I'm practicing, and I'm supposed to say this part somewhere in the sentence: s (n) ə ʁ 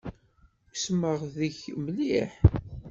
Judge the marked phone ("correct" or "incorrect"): incorrect